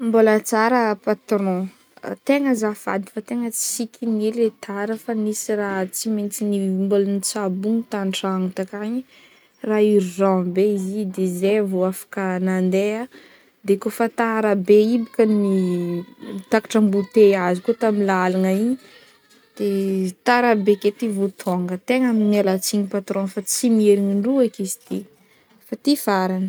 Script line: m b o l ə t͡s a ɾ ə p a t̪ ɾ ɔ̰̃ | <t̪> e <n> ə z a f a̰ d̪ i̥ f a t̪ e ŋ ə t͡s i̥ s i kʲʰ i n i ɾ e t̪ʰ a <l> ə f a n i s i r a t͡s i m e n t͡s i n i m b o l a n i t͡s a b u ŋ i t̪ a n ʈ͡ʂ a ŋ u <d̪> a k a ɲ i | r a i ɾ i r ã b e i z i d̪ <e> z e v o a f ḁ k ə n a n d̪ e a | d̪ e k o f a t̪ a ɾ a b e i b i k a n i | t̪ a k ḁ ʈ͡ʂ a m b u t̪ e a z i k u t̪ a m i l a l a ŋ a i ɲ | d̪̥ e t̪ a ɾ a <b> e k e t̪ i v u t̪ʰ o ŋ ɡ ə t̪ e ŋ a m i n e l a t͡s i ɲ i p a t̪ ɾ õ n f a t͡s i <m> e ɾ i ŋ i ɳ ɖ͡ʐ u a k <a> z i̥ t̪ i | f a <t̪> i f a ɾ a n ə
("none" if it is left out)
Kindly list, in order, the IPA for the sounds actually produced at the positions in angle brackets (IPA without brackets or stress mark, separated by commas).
t̪, ŋ, ɾ, t̪, e, b, m, i, t̪